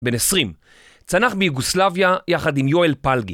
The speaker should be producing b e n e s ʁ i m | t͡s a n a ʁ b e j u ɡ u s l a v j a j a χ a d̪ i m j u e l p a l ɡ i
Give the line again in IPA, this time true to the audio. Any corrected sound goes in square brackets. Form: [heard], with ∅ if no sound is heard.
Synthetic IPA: b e n e s ʁ i m | t͡s a n a [χ] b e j u ɡ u s l a v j a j a χ a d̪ i m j [o] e l p a l ɡ i